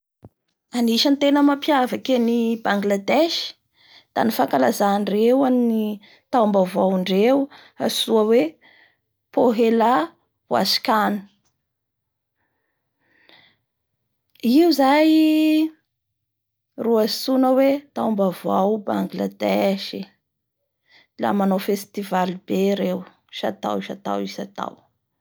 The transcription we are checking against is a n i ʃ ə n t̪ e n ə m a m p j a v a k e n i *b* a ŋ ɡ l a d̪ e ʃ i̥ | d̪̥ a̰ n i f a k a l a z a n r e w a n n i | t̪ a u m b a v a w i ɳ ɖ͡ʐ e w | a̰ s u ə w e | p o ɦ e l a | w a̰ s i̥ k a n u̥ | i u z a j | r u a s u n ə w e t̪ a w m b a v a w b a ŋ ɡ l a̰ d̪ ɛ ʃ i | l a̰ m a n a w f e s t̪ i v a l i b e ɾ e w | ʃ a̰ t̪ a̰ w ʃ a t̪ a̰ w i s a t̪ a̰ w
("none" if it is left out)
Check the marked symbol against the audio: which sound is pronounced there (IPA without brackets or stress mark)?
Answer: b